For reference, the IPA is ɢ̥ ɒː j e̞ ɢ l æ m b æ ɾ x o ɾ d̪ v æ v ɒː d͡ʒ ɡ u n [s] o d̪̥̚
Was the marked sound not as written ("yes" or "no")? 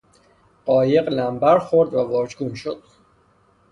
yes